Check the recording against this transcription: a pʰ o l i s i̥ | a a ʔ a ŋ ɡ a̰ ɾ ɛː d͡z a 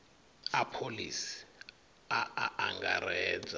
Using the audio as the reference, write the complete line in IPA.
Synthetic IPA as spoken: a pʰ o l i s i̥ | a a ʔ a ŋ ɡ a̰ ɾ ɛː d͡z a